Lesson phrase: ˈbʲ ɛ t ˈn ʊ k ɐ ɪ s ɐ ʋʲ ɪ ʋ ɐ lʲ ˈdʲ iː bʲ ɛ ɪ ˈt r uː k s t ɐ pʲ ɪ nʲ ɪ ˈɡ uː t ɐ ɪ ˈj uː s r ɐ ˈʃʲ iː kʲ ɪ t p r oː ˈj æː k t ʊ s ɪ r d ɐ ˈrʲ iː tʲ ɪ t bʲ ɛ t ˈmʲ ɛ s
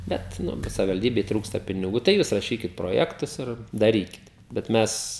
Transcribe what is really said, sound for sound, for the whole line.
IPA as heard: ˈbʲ ɛ t ˈn ʊ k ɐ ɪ s ɐ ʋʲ ɪ ʋ ɐ lʲ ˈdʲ iː bʲ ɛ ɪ ˈt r uː k s t ɐ pʲ ɪ nʲ ɪ ˈɡ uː t ɐ ɪ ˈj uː s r ɐ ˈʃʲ iː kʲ ɪ t p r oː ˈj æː k t ʊ s ɪ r d ɐ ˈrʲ iː kʲ ɪ t bʲ ɛ t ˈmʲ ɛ s